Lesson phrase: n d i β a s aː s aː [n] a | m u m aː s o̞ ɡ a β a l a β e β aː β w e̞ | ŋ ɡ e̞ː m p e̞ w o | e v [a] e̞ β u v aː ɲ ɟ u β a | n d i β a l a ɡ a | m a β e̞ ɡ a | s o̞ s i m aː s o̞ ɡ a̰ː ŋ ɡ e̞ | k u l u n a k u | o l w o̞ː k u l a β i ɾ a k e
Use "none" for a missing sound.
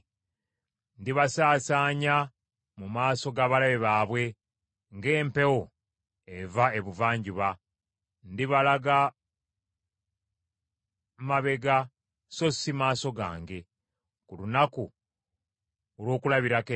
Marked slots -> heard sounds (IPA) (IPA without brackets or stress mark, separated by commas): ɲ, a